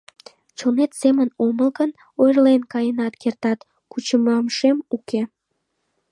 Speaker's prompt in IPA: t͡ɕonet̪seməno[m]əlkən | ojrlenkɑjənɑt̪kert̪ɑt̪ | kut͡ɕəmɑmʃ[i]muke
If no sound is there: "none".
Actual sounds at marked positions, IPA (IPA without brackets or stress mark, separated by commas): m, e